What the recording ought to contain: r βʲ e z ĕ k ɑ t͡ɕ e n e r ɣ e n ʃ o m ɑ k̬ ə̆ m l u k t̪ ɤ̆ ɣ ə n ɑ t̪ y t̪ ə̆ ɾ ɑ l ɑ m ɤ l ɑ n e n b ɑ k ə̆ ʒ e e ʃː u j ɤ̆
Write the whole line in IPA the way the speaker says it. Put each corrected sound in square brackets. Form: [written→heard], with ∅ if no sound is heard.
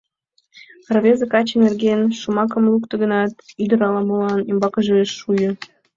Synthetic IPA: r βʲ e z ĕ k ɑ t͡ɕ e n e r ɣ e n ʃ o m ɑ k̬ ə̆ m l u k t̪ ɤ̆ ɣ ə n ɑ t̪ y [t̪→d̪] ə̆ ɾ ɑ l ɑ m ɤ l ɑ n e [n→m] b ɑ k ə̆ ʒ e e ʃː u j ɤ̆

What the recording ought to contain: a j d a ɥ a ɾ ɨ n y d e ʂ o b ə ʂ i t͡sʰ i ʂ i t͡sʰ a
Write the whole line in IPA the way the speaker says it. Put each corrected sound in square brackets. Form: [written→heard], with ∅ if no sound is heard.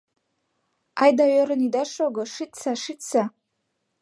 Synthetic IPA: a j d a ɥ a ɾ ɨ n [y→i] d [e→a] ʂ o [b→ɡ] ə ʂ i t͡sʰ [i→a] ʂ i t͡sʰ a

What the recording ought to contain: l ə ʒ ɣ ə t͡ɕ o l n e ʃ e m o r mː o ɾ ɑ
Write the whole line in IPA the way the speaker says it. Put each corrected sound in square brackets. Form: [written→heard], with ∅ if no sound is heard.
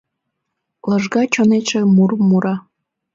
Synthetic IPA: l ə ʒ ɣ [ə→ɑ] t͡ɕ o [l→∅] n e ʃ e m [o→u] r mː [o→u] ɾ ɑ

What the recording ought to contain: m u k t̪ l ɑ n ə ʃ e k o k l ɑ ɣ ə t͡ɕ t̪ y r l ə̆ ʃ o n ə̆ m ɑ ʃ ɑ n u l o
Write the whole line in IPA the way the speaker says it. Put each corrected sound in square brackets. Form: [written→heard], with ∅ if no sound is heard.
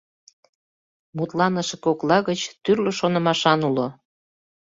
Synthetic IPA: m u [k→∅] t̪ l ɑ n ə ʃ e k o k l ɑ ɣ ə t͡ɕ t̪ y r l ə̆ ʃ o n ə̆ m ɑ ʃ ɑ n u l o

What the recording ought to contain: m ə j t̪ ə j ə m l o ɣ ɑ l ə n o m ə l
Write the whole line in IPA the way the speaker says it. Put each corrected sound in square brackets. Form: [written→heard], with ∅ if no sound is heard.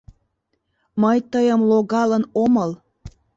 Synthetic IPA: m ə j t̪ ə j ə m l o ɣ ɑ l ə n o m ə l

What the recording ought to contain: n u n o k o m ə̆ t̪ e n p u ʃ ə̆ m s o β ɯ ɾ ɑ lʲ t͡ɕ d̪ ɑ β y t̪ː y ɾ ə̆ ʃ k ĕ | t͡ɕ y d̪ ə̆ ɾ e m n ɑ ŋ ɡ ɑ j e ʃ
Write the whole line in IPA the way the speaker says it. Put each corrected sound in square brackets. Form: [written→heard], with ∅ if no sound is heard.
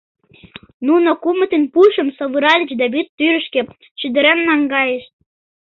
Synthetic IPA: n u n o k [o→u] m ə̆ t̪ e n p u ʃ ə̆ m s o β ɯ ɾ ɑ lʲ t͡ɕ d̪ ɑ β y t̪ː y ɾ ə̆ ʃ k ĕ | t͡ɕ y d̪ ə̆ ɾ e m n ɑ ŋ ɡ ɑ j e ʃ

